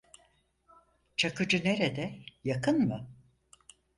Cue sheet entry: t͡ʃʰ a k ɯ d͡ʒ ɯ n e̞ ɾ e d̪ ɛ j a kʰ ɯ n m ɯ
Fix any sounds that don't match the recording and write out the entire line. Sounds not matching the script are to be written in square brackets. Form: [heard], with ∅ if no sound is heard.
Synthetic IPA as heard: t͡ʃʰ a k ɯ d͡ʒ ɯ n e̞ ɾ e d̪ ɛ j a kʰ ɯ n m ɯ